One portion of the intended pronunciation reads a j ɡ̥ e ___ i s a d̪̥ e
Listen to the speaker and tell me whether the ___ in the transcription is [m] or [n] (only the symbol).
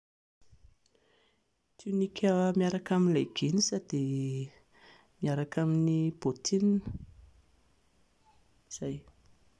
n